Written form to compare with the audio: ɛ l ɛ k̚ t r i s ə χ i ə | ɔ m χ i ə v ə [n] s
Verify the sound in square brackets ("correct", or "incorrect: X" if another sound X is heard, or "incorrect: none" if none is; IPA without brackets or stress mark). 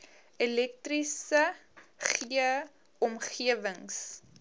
incorrect: ŋ